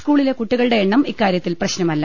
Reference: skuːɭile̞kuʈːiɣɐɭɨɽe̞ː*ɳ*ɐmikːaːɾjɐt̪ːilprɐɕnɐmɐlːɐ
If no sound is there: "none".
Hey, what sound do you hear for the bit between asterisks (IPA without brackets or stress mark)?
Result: ɳː